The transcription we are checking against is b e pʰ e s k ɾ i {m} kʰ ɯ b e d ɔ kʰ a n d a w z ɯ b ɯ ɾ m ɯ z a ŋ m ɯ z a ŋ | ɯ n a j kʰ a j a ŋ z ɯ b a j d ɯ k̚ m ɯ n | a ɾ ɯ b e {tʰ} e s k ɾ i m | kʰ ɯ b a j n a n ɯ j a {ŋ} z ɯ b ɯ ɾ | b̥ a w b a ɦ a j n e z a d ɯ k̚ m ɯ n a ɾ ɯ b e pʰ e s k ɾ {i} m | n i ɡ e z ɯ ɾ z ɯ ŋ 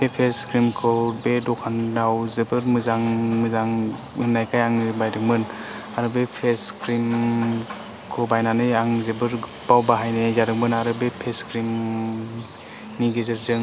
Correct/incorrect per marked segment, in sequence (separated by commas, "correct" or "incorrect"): correct, incorrect, correct, correct